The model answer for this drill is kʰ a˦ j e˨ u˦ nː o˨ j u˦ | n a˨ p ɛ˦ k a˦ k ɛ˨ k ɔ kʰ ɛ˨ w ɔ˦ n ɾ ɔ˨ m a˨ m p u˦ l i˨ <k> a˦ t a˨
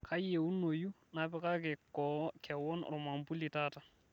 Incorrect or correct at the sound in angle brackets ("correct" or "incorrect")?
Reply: incorrect